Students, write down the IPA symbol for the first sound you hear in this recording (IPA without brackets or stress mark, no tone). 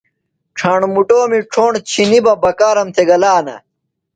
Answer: ʈ͡ʂʰ